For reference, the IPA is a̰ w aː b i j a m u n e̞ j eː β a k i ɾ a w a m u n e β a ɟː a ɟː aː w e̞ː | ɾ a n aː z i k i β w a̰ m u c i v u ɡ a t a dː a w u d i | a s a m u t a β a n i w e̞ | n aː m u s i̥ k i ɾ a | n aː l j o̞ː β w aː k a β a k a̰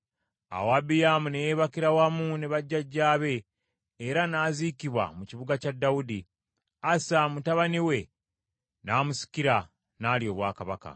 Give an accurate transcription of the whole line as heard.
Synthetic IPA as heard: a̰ w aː b i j a m u n e̞ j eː β a k i ɾ a w a m u n e β a ɟː a ɟː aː β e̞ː | ɾ a n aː z i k i β w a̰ m u c i β u ɡ a c a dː a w u d i | a s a m u t a β a n i w e̞ | n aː m u s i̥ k i ɾ a | n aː l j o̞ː β w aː k a β a k a̰